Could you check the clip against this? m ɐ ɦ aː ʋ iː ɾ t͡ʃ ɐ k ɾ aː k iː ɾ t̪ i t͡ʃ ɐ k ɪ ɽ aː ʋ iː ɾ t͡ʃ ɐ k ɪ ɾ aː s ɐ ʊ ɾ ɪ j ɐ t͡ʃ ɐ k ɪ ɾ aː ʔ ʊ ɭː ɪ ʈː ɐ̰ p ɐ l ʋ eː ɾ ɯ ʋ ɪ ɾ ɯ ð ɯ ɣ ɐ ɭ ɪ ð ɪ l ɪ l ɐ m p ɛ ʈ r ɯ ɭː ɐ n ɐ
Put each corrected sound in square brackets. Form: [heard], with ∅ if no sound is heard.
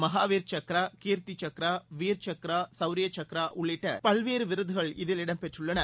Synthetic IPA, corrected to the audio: m ɐ ɦ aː ʋ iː ɾ t͡ʃ ɐ k ɾ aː k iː ɾ t̪ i t͡ʃ ɐ k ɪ [ɾ] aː ʋ iː ɾ t͡ʃ ɐ k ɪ ɾ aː s ɐ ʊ ɾ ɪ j ɐ t͡ʃ ɐ k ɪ ɾ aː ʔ ʊ ɭː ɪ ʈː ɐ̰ p ɐ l ʋ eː ɾ ɯ ʋ ɪ ɾ ɯ ð ɯ ɣ ɐ ɭ ɪ ð ɪ l ɪ [ɽ] ɐ m p ɛ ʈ r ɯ ɭː ɐ n ɐ